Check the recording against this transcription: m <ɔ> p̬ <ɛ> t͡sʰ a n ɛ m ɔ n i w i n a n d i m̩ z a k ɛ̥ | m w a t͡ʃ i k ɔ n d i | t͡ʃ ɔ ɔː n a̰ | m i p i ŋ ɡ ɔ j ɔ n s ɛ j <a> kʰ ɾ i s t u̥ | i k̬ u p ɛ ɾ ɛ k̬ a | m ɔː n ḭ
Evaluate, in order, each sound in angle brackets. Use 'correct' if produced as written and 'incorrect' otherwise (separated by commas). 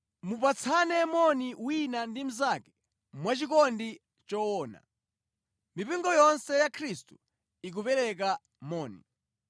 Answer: incorrect, incorrect, correct